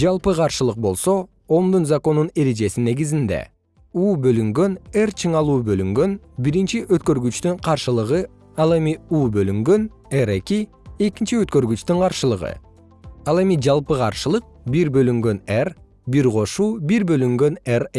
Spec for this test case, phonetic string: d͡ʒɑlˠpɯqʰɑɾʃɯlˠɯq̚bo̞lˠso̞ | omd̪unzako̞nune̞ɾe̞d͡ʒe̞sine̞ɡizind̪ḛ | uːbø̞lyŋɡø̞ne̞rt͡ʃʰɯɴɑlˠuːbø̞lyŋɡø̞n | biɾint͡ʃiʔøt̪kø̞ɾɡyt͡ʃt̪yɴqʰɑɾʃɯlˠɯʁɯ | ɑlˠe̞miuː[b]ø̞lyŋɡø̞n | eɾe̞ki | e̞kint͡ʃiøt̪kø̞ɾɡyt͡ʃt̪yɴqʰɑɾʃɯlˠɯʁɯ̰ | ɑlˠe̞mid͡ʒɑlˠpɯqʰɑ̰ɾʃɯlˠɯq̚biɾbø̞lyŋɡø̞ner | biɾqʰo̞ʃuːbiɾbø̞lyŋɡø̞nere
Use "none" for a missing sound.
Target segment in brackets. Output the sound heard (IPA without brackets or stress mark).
b